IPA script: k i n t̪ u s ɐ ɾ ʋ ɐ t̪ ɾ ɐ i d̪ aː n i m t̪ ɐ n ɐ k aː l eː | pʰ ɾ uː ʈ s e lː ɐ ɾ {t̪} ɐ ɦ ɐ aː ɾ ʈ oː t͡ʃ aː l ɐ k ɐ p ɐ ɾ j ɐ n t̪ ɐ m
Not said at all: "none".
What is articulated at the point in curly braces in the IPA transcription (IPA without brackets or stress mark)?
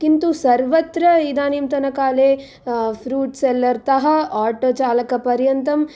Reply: t̪